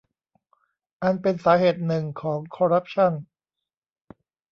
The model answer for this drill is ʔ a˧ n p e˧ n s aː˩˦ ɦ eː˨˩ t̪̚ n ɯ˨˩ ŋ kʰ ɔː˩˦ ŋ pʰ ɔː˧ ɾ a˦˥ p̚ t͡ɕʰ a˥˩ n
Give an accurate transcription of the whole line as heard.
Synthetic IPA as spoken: ʔ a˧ n p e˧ n s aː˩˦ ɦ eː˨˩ t̪̚ n ɯ˨˩ ŋ kʰ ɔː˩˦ ŋ kʰ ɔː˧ ɾ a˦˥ p̚ t͡ɕʰ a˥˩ n